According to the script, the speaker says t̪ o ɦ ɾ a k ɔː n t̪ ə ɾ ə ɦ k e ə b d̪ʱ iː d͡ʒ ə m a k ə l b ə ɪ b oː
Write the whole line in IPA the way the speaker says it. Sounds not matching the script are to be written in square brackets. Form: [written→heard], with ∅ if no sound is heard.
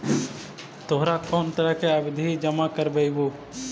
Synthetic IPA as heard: t̪ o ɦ ɾ a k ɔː n t̪ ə ɾ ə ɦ k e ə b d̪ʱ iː d͡ʒ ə m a k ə [l→ɾ] b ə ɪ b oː